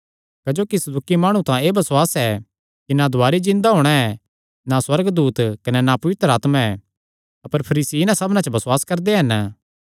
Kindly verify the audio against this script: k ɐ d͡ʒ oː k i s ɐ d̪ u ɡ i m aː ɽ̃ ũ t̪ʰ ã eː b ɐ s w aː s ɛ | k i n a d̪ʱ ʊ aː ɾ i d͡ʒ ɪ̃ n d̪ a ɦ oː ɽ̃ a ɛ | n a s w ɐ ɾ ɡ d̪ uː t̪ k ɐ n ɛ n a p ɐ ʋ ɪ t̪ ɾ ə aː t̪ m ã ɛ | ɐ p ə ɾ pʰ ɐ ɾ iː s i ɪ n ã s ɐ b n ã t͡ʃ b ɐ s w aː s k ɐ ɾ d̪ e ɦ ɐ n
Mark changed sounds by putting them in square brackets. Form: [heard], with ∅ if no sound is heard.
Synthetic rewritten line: k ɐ d͡ʒ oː k i s ɐ d̪ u [k] i m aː ɽ̃ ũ [t̪] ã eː b ɐ s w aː s ɛ | k i n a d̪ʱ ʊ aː ɾ i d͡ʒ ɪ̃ n d̪ a ɦ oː ɽ̃ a ɛ | n a s w ɐ ɾ ɡ d̪ uː t̪ k ɐ n ɛ n a p ɐ ʋ ɪ t̪ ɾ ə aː t̪ m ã ɛ | ɐ p ə ɾ pʰ ɐ ɾ iː s i ɪ n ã s ɐ b n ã t͡ʃ b ɐ s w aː s k ɐ ɾ d̪ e ɦ ɐ n

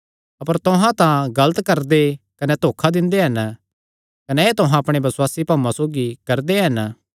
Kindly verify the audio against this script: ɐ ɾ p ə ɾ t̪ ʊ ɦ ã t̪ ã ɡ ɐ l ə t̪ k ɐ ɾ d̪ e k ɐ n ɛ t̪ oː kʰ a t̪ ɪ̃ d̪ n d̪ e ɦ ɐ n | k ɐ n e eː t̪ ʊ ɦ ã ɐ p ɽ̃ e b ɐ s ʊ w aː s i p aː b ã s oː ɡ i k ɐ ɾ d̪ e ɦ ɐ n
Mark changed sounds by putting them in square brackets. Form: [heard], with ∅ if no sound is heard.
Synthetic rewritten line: ɐ [∅] p ə ɾ t̪ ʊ ɦ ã t̪ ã ɡ ɐ l ə t̪ k ɐ ɾ d̪ e k ɐ n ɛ t̪ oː kʰ a [d̪] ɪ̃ [∅] n d̪ e ɦ ɐ n | k ɐ n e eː t̪ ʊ ɦ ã ɐ p ɽ̃ e b ɐ s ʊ w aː s i p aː [m] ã s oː ɡ i k ɐ ɾ d̪ e ɦ ɐ n

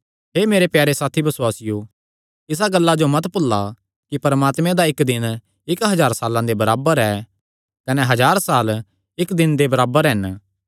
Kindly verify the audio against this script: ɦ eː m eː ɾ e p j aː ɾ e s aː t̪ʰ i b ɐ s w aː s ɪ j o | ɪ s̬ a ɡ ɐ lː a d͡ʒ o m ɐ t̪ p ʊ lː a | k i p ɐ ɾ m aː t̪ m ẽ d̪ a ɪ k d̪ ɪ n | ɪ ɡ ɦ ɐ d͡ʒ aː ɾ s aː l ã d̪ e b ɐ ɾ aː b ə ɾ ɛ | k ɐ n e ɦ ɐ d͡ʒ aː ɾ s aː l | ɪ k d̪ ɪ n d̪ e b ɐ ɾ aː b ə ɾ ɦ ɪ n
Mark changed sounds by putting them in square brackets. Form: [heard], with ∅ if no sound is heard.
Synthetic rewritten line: ɦ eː m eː ɾ e p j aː ɾ e s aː t̪ʰ i b ɐ s w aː s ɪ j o | ɪ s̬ a ɡ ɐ lː a d͡ʒ o m ɐ t̪ p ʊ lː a | k i p ɐ ɾ m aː t̪ m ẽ d̪ a ɪ k d̪ ɪ n | ɪ [k] ɦ ɐ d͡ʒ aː ɾ s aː l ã d̪ e b ɐ ɾ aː b ə ɾ ɛ | k ɐ n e ɦ ɐ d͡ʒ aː ɾ s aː l | ɪ k d̪ ɪ n d̪ e b ɐ ɾ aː b ə ɾ ɦ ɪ n

